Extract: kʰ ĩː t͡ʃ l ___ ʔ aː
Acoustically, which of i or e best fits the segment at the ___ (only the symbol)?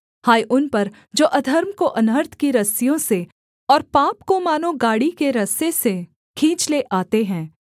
e